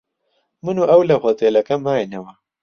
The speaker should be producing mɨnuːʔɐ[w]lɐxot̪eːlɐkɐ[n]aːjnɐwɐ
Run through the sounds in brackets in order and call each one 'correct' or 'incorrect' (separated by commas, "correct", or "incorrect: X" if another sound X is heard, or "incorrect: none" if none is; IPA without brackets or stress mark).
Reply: correct, incorrect: m